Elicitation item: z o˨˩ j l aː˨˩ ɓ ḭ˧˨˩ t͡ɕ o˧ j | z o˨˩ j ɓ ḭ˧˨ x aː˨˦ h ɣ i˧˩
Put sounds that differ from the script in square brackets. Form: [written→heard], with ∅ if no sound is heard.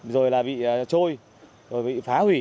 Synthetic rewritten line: z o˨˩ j l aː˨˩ ɓ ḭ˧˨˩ t͡ɕ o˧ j | z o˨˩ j ɓ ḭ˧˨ [x→f] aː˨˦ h [ɣ→w] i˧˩